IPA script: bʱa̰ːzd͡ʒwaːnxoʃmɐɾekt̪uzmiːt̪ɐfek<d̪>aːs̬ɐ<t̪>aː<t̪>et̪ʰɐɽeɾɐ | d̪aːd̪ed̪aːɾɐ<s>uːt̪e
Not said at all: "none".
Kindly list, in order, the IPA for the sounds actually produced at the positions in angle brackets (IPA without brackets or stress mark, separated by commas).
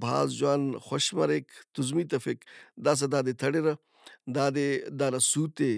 d̪, d̪, d̪, s